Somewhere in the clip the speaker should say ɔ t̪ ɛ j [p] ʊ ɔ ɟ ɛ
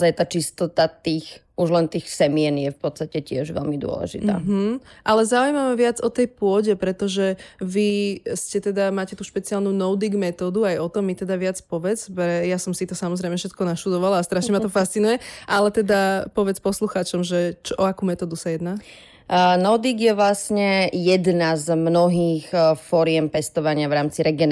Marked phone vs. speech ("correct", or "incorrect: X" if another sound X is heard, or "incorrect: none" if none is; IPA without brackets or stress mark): correct